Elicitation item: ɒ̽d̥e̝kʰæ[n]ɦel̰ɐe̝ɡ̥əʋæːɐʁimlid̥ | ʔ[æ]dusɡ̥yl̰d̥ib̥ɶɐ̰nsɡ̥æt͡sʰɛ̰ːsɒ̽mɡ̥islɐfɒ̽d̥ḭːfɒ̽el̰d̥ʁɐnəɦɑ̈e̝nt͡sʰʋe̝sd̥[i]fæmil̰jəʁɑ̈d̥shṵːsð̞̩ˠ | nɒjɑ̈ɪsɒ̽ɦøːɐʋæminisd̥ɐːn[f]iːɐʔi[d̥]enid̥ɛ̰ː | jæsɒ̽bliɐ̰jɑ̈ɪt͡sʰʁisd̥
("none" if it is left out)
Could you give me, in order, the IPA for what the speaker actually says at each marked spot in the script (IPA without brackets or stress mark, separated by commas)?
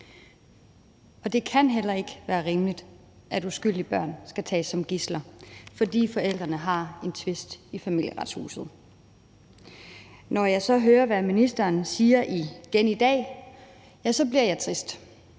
n, æ, i, s, ɡ̥